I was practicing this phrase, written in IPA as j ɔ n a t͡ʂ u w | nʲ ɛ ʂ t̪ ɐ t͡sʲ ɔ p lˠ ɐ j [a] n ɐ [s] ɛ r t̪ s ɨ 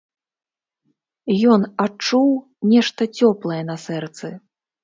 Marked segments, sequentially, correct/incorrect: incorrect: ɛ, correct

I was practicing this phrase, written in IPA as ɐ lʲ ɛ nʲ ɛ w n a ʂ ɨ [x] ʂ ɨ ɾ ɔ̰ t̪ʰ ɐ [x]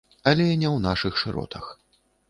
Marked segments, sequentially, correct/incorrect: correct, correct

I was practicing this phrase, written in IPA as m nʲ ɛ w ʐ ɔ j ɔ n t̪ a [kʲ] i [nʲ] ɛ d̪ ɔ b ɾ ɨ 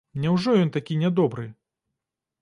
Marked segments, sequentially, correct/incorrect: correct, correct

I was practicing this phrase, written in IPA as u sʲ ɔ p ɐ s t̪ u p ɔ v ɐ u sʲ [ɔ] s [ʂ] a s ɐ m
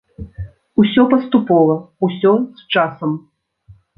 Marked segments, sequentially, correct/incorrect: correct, incorrect: t͡ʂ

